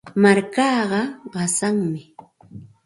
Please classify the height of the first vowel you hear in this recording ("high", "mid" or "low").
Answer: low